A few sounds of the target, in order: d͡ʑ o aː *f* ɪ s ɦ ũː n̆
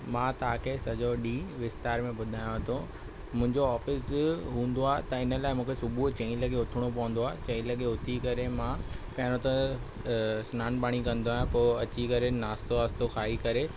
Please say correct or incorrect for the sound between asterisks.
correct